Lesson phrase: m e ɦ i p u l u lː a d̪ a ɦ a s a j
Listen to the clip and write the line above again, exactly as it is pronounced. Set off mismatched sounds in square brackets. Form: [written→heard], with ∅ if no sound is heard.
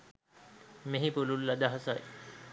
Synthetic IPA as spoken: m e ɦ i p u l u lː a d̪ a ɦ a s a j